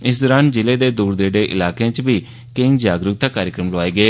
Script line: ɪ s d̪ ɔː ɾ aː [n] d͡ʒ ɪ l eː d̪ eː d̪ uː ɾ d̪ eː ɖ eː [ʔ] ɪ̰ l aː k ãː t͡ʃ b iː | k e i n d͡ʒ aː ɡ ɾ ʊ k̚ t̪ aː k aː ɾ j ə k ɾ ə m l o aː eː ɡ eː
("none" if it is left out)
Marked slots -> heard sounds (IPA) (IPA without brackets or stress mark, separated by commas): n, ʔ